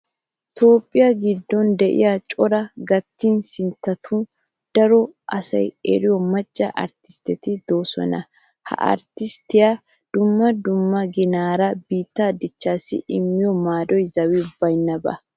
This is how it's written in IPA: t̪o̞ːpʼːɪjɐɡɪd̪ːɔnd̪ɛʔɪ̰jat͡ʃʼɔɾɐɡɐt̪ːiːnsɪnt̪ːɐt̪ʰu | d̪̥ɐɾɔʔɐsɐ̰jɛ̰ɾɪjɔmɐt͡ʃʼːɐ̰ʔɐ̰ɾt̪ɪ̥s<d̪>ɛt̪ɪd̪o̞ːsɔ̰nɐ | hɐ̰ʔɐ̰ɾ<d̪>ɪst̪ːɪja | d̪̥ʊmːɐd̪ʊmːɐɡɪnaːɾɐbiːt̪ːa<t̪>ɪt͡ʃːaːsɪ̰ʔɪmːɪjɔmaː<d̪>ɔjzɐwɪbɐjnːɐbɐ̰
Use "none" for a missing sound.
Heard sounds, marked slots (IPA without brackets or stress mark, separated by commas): t̪, t̪, d̪, d̪